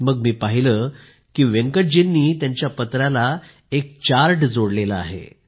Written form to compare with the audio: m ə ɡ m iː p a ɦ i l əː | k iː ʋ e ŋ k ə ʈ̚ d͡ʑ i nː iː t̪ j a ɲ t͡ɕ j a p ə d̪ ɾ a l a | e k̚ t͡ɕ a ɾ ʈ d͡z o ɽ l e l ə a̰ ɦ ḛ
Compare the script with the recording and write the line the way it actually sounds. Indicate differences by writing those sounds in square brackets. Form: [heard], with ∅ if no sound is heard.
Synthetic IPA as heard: m ə ɡ m iː p a ɦ i l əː | k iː ʋ e ŋ k ə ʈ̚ d͡ʑ i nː iː t̪ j a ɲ t͡ɕ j a p ə [t̪] ɾ a l a | e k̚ t͡ɕ a ɾ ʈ d͡z o ɽ l e l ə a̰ ɦ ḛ